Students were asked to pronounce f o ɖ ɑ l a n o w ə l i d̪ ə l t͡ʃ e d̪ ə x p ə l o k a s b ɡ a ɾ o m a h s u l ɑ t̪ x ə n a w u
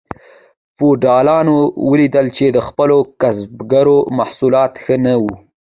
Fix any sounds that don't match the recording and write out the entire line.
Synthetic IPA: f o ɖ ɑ l ɑ n o w ə l i d̪ ə l t͡ʃ e d̪ ə x p ə l o k a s b ɡ a ɾ o m a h s u l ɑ t̪ x ə n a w u